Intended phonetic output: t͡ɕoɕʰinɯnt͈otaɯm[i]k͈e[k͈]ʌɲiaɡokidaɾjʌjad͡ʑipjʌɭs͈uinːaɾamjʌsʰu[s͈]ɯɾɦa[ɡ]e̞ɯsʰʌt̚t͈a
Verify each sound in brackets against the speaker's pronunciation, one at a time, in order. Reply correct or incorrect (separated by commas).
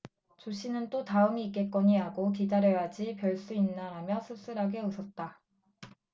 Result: incorrect, correct, correct, correct